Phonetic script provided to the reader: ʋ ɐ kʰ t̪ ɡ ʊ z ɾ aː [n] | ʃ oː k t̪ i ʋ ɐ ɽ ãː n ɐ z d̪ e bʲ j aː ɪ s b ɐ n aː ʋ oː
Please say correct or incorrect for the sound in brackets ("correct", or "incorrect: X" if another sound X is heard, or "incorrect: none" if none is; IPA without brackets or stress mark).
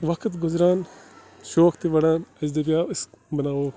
correct